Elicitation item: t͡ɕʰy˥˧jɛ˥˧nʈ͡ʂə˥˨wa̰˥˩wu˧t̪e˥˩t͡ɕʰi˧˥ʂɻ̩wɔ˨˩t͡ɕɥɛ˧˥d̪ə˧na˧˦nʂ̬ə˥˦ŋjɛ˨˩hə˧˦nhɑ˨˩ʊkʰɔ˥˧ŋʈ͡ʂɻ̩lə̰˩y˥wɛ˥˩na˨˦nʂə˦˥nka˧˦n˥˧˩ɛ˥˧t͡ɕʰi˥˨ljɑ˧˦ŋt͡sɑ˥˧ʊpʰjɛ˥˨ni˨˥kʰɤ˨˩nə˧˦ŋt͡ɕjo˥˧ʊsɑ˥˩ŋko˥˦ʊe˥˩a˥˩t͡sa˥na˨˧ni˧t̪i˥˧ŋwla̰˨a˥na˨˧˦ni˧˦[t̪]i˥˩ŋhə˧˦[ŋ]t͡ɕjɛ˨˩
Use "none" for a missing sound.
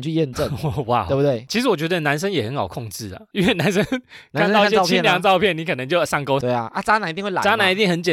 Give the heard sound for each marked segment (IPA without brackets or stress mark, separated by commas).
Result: t̪, n